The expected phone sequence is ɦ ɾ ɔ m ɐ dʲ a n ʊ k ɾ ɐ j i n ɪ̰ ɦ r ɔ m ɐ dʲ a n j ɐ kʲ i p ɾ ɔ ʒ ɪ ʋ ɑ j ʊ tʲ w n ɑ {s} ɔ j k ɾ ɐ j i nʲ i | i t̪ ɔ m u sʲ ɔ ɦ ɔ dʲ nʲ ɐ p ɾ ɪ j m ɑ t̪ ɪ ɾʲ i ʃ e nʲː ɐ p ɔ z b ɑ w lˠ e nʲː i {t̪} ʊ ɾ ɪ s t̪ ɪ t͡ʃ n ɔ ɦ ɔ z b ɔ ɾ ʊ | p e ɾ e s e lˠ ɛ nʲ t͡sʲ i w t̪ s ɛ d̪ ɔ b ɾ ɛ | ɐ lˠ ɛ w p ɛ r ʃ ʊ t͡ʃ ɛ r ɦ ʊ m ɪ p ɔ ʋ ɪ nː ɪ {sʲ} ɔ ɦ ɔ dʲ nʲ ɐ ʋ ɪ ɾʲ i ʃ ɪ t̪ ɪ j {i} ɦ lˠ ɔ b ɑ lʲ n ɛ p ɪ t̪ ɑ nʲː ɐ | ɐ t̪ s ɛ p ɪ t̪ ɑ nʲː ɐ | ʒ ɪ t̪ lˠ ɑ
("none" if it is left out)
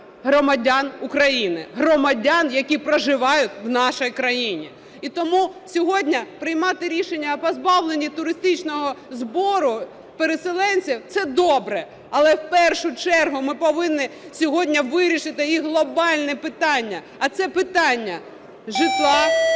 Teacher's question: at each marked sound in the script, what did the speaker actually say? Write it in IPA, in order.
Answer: ʃ, t̪, sʲ, i

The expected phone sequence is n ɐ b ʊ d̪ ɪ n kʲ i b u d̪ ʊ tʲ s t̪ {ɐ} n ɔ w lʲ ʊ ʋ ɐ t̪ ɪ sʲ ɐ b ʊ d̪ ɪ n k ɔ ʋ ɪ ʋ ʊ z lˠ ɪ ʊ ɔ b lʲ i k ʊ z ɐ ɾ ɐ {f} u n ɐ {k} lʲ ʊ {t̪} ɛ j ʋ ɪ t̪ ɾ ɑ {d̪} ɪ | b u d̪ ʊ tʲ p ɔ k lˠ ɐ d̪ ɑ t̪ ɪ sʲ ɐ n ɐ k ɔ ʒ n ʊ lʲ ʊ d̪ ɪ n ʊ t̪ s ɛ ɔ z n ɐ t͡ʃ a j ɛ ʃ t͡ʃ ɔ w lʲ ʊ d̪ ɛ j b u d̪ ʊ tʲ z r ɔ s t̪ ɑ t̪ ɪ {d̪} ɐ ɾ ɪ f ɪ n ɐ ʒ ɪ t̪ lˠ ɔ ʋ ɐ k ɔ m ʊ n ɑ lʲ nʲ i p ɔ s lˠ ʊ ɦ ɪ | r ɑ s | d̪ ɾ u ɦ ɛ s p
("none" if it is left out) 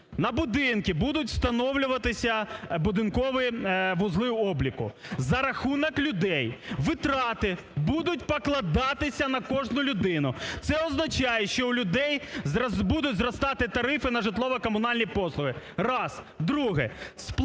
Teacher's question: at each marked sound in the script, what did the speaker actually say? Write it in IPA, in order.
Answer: ɐ, x, k, d̪, t̪, t̪

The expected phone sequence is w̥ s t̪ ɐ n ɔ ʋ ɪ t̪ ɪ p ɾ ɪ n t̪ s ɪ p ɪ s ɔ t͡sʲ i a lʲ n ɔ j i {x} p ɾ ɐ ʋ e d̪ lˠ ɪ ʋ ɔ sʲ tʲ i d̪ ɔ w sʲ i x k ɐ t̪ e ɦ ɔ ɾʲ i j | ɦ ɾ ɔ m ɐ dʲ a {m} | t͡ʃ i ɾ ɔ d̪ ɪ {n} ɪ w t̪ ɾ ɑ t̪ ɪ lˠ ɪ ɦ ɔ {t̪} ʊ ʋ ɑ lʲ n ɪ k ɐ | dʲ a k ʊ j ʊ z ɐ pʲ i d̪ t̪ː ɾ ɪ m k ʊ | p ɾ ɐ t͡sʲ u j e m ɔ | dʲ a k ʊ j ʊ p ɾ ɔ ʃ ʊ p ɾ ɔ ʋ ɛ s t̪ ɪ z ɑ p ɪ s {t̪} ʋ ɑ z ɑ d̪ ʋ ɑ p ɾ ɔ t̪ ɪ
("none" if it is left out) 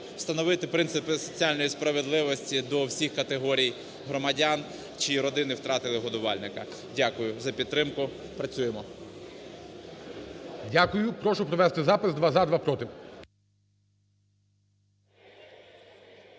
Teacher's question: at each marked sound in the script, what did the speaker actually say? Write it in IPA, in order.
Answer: s, n, n, d̪, d̪

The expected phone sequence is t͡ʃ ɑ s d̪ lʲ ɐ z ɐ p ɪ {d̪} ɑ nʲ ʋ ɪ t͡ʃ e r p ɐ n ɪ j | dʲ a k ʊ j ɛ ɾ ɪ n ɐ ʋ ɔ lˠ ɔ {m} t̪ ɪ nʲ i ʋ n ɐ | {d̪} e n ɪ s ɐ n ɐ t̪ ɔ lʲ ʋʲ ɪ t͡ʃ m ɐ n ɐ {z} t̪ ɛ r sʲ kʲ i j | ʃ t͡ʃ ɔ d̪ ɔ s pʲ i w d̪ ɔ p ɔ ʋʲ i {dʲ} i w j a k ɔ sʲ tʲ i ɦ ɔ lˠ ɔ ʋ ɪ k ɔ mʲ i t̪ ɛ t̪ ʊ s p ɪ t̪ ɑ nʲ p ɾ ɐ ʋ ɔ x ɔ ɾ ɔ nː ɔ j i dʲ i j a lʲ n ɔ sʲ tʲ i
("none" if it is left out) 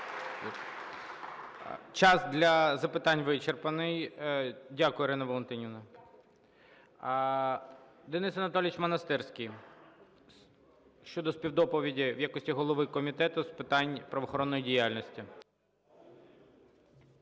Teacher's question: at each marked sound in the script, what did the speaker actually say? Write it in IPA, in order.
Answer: t̪, n, d̪, s, dʲ

